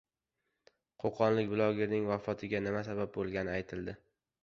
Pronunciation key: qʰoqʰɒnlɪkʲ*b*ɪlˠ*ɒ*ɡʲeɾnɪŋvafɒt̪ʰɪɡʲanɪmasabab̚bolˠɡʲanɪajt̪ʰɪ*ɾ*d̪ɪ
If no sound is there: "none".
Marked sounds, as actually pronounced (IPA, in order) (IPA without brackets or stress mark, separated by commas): b, ɒ, l